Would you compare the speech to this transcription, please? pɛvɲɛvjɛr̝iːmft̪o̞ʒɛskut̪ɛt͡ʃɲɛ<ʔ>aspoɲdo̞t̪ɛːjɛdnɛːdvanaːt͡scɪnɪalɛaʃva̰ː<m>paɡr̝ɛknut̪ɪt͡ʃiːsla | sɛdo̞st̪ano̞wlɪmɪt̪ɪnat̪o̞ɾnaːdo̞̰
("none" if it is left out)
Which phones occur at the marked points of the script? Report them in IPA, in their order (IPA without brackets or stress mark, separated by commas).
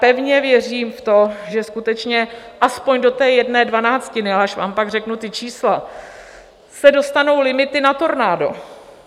ʔ, m